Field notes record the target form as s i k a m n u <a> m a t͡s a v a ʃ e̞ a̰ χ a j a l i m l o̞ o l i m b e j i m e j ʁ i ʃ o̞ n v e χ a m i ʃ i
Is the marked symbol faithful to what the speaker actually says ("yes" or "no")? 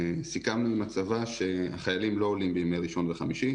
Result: no